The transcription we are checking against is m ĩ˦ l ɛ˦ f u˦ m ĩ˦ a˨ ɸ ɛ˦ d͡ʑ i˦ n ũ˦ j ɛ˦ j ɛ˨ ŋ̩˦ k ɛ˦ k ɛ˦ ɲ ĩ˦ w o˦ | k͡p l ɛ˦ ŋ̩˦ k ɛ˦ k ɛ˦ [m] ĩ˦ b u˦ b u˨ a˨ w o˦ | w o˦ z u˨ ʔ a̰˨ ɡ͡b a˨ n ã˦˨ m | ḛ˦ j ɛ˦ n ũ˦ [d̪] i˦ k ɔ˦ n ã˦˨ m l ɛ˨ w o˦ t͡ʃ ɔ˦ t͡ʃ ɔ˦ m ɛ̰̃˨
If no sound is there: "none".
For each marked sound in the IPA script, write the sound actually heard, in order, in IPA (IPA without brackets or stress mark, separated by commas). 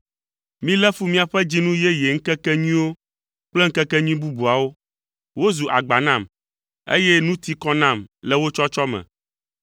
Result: ɲ, t̪